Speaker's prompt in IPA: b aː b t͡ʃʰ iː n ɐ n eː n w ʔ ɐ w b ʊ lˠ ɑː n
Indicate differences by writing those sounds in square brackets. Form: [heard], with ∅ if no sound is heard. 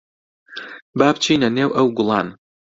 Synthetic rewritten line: b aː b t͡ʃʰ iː n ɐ n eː [∅] w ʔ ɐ w [ɡ] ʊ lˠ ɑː n